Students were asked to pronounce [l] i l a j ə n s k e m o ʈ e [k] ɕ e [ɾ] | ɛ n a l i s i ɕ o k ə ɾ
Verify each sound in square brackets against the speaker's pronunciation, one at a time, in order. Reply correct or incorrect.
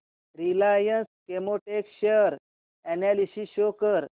incorrect: ɾ, correct, correct

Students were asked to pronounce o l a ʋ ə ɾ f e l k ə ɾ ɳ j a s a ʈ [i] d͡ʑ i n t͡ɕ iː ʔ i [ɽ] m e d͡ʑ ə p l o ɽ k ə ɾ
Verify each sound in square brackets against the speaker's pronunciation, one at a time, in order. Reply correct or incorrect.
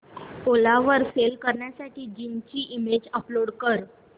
incorrect: iː, incorrect: none

